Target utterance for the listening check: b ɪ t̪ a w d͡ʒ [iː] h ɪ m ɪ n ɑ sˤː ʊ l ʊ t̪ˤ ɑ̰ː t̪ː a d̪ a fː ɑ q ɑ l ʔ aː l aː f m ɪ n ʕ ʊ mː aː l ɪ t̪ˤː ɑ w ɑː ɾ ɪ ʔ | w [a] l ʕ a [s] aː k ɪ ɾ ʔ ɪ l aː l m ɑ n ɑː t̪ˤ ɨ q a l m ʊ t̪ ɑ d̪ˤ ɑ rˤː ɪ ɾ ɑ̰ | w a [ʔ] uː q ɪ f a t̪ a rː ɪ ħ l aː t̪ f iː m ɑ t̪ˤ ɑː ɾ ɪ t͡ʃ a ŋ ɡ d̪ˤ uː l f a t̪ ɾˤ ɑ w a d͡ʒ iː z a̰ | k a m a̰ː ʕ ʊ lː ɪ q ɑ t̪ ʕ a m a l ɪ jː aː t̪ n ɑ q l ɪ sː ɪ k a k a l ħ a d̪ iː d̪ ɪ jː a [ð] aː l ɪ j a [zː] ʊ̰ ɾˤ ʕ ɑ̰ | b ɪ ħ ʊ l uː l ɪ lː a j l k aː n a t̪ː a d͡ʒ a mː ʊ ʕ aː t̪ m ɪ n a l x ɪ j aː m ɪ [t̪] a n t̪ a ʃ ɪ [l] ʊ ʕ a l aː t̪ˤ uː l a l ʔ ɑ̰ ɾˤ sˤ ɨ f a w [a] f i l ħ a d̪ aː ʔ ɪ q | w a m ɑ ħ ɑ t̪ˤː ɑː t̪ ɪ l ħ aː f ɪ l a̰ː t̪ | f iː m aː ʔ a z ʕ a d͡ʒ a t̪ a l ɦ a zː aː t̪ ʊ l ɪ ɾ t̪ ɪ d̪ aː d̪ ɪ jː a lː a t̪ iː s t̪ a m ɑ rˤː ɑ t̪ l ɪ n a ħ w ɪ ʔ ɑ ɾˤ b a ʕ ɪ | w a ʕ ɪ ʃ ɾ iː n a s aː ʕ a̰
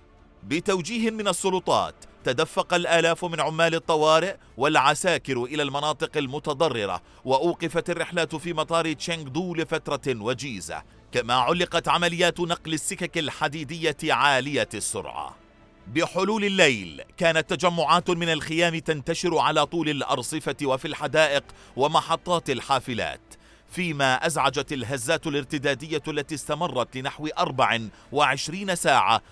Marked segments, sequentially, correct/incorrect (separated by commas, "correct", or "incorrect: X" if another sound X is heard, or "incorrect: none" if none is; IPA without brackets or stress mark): correct, correct, correct, correct, incorrect: ʕ, incorrect: sː, correct, incorrect: ɾ, correct